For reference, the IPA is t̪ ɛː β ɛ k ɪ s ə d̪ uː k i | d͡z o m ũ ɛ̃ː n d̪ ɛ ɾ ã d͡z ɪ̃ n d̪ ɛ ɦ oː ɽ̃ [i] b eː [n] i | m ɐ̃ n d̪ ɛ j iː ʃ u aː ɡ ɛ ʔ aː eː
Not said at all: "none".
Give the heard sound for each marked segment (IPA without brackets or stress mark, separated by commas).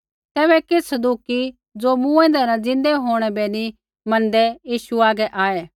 ɛ, n